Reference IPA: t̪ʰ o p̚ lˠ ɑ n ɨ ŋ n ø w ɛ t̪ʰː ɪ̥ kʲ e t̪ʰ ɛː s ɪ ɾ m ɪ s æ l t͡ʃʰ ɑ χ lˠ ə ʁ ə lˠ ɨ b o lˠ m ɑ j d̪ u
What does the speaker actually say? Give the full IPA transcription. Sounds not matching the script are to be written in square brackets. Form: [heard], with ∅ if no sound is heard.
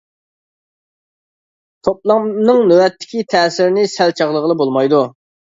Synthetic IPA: t̪ʰ o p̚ lˠ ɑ n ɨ ŋ n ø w ɛ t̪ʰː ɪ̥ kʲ [i] t̪ʰ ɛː s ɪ ɾ [n] ɪ s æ l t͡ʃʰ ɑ [ʁ] lˠ ə ʁ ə lˠ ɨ b o lˠ m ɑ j d̪ u